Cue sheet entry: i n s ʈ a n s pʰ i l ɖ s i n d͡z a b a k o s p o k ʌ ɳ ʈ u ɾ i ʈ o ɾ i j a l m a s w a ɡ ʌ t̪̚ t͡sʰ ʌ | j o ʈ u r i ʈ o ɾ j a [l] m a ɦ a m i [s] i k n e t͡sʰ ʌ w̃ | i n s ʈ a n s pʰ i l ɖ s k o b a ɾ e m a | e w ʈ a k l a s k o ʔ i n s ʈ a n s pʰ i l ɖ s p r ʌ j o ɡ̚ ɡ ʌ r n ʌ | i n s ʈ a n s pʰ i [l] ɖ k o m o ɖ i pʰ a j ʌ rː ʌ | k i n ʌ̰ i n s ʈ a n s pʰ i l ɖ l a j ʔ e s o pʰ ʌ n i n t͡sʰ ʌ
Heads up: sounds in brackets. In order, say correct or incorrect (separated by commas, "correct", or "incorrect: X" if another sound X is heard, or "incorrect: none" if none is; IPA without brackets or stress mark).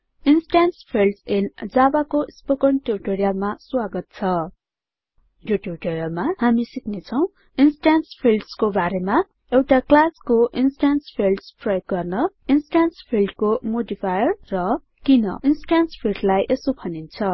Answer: correct, correct, correct